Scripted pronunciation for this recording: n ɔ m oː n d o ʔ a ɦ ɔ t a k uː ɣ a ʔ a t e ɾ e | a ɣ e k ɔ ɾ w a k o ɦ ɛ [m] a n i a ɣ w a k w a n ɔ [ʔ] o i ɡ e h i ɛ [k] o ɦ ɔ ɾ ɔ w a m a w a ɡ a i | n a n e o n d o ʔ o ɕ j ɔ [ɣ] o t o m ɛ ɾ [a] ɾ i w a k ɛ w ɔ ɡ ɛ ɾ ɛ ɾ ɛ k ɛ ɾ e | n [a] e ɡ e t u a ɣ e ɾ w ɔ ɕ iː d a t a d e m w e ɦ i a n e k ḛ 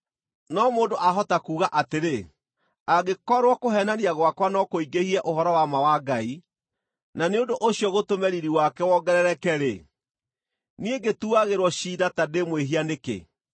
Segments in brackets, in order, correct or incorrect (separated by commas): incorrect, incorrect, incorrect, correct, incorrect, incorrect